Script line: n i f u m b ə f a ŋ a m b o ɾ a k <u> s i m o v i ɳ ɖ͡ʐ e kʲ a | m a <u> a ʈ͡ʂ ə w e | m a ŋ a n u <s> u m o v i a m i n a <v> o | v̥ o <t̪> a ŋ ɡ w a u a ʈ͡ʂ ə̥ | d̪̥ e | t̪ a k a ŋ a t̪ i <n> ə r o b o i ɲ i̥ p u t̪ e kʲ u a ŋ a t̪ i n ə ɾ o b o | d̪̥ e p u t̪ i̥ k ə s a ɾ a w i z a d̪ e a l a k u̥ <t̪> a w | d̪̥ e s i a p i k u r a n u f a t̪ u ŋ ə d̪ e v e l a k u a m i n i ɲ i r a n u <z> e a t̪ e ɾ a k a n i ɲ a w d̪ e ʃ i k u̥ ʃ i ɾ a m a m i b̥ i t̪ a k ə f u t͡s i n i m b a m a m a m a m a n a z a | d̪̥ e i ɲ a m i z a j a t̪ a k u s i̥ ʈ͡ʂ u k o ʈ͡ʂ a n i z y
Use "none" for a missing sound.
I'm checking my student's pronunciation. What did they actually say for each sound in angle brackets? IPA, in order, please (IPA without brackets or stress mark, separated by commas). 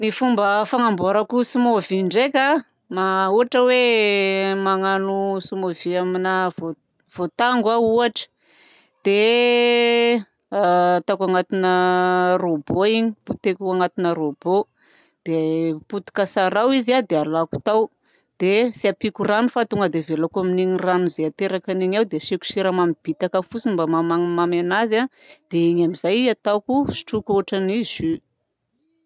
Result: u, u, s, v, t̪, n, t̪, z